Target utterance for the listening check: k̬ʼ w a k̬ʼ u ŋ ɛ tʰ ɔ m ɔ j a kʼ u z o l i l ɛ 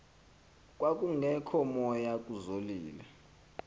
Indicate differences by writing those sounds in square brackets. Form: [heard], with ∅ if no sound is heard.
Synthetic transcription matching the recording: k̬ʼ w a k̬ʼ u ŋ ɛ [kʰ] ɔ m ɔ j a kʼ u z o l [iː] l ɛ